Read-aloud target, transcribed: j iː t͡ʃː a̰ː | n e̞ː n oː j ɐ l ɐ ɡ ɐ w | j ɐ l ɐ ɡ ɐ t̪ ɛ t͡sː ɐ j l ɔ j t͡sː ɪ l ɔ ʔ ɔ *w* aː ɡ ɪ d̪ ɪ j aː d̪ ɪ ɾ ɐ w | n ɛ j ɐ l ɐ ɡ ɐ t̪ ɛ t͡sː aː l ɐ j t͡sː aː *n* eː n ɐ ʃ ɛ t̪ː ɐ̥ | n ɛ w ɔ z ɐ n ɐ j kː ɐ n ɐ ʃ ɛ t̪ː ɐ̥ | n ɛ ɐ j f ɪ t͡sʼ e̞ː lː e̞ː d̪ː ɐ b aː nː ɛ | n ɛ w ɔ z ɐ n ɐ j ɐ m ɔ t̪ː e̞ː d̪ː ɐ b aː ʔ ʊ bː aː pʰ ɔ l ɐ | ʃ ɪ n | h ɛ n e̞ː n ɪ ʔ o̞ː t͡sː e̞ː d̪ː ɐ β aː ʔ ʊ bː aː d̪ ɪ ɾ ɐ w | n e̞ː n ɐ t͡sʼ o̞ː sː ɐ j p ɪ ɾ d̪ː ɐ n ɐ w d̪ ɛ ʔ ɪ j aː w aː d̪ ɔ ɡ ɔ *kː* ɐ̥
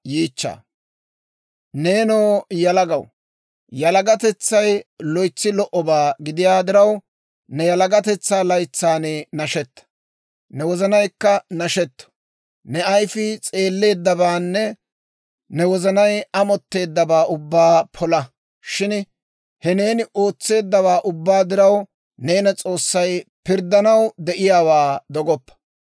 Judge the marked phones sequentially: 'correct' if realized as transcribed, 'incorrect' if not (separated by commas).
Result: incorrect, correct, incorrect